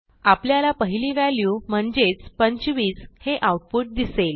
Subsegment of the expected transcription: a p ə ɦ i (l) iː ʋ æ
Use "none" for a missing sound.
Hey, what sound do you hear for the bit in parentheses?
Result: l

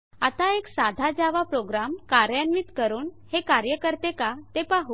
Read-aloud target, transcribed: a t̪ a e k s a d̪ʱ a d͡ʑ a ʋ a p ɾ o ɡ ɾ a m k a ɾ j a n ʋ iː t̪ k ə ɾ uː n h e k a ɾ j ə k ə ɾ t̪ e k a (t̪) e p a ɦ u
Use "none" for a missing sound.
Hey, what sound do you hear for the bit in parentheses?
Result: t̪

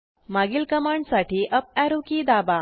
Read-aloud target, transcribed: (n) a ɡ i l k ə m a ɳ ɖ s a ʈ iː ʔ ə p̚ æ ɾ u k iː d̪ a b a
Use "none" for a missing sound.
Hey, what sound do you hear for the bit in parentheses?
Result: m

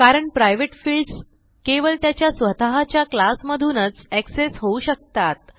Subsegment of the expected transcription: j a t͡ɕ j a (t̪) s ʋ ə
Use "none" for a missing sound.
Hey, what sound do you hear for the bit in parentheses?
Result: none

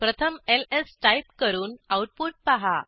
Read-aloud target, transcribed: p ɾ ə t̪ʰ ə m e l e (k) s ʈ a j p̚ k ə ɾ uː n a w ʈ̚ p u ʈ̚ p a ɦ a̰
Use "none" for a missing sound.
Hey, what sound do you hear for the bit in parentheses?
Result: none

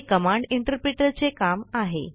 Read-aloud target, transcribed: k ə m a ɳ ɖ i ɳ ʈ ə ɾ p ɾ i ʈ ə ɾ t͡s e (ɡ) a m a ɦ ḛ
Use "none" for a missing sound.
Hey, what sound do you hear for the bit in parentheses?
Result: k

